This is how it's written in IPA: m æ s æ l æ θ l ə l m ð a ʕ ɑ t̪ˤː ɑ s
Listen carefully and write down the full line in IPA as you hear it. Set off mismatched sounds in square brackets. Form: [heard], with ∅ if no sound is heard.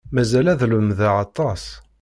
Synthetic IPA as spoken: m æ [z] æ l æ [ð] l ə [∅] m ð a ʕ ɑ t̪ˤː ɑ s